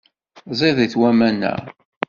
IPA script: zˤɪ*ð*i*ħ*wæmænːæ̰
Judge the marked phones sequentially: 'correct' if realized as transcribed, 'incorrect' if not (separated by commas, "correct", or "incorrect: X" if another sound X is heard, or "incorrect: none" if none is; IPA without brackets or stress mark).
correct, incorrect: θ